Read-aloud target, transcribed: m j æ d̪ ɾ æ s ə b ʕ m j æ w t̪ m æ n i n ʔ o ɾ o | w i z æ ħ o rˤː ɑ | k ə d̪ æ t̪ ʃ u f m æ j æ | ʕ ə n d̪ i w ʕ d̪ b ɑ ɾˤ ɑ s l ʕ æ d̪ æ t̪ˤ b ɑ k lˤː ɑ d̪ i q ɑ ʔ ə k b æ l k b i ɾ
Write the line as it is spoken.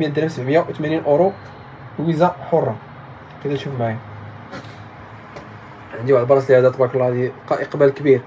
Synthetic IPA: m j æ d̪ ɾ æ s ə b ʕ m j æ w t̪ m æ n i n ʔ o ɾ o | w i z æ ħ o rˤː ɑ | k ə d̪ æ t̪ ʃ u f m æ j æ | ʕ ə n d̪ i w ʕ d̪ b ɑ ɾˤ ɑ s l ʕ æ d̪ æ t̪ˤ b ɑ k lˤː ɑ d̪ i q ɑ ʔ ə q b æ l k b i ɾ